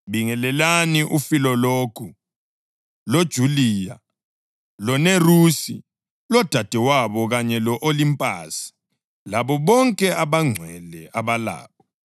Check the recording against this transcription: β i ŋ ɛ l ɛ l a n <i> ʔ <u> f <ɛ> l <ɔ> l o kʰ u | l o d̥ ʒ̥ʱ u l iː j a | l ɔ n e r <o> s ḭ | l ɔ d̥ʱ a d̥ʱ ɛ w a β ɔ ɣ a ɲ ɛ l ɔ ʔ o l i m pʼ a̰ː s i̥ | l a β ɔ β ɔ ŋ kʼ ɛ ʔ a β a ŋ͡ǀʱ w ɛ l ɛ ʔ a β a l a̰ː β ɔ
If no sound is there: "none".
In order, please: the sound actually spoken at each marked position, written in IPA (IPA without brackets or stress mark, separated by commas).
i, u, i, ɔ, u